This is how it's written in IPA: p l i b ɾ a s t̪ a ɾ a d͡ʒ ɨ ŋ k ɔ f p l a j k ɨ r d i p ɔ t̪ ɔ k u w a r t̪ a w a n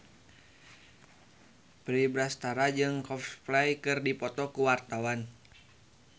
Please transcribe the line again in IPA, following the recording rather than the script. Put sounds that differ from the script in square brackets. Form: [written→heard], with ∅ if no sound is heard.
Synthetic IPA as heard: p [l→ɾ] i b ɾ a s t̪ a ɾ a d͡ʒ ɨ ŋ k ɔ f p l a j k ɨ r d i p ɔ t̪ ɔ k u w a r t̪ a w a n